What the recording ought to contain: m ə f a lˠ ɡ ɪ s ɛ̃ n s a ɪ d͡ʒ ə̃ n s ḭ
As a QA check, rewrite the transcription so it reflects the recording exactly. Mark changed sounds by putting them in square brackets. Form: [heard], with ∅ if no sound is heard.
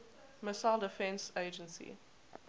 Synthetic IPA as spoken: m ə [s] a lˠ [d] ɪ [f] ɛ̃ n s [e] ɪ d͡ʒ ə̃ n s ḭ